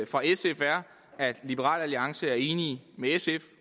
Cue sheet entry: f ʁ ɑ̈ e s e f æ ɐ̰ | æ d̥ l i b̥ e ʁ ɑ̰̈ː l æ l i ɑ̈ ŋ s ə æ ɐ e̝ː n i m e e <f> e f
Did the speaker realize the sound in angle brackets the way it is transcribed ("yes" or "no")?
no